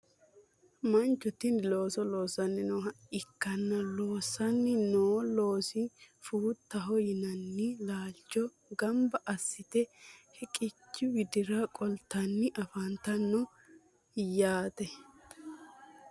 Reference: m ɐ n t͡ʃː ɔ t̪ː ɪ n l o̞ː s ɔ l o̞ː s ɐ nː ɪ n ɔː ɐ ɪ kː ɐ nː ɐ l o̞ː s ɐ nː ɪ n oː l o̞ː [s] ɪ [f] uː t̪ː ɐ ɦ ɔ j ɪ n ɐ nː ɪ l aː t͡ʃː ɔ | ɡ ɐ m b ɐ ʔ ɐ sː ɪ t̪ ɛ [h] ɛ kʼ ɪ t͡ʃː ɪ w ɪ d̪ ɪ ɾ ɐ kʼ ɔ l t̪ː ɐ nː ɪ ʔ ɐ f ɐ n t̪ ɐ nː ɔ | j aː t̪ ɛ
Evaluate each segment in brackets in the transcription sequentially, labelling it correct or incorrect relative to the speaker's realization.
correct, correct, correct

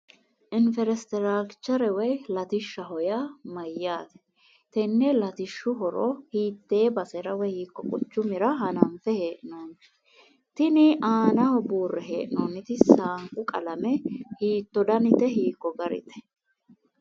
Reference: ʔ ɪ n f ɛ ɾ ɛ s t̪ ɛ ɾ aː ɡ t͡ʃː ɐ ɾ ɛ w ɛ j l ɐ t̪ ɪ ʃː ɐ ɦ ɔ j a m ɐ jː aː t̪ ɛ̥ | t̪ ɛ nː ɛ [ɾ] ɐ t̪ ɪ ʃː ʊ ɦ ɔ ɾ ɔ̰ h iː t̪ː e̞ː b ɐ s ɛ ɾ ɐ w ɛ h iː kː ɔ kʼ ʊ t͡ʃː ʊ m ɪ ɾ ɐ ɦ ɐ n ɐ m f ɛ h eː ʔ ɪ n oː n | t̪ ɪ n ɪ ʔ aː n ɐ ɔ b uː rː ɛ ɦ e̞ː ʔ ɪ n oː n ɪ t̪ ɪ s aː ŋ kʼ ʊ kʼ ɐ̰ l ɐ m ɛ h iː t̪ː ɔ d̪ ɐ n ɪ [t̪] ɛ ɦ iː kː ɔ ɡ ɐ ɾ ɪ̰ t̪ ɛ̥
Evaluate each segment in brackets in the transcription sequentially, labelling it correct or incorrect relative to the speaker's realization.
incorrect, correct

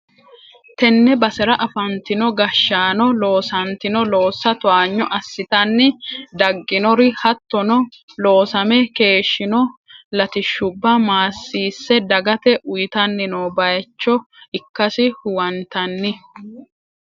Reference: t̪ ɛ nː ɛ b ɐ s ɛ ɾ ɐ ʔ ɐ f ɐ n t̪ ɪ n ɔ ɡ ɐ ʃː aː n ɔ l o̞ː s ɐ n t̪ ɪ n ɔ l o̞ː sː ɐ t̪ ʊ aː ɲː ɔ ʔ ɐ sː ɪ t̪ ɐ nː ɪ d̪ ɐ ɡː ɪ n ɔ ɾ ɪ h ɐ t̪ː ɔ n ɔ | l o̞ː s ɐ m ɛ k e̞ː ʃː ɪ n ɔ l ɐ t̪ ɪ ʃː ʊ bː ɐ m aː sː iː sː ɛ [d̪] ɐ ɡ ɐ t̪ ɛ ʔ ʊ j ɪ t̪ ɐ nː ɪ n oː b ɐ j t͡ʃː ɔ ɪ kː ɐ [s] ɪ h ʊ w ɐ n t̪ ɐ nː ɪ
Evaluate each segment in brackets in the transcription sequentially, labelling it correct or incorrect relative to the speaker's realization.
correct, correct

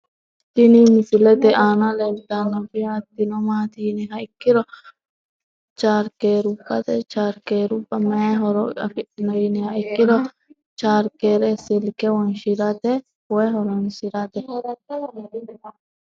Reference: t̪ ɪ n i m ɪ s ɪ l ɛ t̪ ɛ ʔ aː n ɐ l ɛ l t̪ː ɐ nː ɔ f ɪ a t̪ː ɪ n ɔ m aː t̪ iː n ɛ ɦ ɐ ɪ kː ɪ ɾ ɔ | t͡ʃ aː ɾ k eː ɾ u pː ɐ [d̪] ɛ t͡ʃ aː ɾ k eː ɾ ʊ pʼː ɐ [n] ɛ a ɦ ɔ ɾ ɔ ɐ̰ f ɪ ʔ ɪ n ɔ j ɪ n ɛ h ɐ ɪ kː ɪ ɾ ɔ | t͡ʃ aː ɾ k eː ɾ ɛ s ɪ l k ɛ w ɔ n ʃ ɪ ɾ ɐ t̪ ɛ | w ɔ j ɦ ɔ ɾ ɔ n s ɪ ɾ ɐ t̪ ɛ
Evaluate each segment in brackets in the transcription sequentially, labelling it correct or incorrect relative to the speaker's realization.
incorrect, incorrect

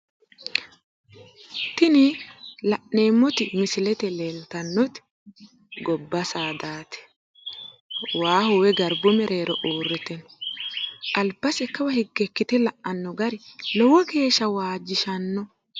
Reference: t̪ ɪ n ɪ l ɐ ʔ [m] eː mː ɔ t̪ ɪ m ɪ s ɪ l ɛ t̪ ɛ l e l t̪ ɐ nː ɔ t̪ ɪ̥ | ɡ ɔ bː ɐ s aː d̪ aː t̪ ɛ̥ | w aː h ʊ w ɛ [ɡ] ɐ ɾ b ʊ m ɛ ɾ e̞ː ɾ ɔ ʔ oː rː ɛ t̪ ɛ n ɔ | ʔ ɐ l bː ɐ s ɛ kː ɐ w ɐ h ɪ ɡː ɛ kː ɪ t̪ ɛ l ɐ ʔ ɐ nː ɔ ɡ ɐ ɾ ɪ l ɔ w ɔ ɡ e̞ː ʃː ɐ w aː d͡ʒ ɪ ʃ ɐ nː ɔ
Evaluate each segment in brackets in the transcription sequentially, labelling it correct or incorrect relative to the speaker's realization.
incorrect, correct

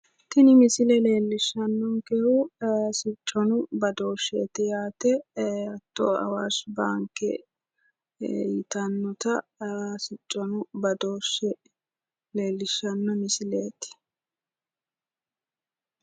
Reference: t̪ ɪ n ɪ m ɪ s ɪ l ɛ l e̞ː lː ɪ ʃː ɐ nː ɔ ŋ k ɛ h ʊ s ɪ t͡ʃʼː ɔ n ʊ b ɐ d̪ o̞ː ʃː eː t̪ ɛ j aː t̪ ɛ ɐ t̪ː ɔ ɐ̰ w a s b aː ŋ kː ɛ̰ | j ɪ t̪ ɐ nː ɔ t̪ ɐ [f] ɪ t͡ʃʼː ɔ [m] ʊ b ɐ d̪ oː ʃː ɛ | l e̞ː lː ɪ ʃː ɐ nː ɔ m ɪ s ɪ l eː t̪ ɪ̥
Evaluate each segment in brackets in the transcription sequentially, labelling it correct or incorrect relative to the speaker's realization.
incorrect, incorrect

